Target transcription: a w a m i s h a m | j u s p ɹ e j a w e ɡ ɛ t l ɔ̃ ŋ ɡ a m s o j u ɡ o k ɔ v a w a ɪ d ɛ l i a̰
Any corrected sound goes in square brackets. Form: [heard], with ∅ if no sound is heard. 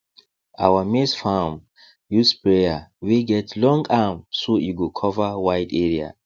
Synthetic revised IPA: a w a m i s [f] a m | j u s p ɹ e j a w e ɡ ɛ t l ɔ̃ ŋ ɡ a m s o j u ɡ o [kʰ] ɔ v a w a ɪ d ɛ [ɹ] i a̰